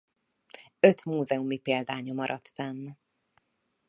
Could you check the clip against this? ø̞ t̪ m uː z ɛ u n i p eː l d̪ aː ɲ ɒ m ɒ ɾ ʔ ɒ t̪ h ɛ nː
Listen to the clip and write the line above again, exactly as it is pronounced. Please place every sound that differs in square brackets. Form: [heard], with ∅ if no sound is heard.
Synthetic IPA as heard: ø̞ t̪ m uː z ɛ u [m] i p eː l d̪ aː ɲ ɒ m ɒ ɾ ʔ ɒ t̪ [f] ɛ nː